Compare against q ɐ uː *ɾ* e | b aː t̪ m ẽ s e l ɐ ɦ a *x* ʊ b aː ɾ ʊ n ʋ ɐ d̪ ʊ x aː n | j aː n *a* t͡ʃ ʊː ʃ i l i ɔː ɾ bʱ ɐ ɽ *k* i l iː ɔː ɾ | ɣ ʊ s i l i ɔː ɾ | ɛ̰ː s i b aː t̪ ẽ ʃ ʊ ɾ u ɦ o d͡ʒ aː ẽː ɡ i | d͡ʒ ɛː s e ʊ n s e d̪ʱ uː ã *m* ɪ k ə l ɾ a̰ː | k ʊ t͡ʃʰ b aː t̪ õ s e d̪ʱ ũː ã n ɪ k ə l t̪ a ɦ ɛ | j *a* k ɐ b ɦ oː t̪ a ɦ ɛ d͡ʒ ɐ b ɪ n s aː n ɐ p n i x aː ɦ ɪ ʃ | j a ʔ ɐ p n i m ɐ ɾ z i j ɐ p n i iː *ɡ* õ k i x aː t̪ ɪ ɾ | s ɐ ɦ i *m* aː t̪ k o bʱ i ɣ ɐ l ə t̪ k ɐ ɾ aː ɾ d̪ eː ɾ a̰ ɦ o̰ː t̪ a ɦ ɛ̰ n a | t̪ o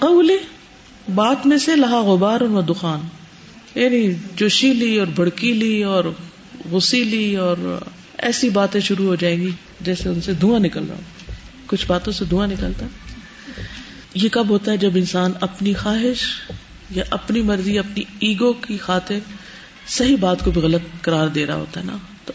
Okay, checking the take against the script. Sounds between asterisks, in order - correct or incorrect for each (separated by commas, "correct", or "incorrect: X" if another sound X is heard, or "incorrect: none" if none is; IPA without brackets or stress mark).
incorrect: l, incorrect: ɣ, incorrect: i, correct, incorrect: n, incorrect: e, correct, incorrect: b